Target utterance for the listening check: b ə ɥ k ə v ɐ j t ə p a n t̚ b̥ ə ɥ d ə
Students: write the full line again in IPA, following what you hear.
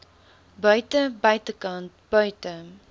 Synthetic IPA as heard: b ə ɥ t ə b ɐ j t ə k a n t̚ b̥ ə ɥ t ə